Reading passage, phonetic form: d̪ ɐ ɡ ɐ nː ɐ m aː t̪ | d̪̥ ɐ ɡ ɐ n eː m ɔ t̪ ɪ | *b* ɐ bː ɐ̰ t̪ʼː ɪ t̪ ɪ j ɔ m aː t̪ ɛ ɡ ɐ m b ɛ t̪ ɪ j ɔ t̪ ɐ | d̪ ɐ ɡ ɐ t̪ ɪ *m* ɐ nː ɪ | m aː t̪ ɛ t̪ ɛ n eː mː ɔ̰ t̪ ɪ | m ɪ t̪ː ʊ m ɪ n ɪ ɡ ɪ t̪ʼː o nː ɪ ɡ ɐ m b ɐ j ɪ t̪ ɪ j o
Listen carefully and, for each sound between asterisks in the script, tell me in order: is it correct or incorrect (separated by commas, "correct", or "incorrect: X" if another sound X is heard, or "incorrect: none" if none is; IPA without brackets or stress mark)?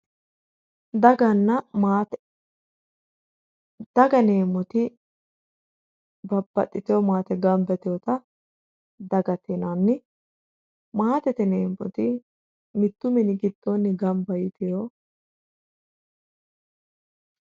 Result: correct, incorrect: n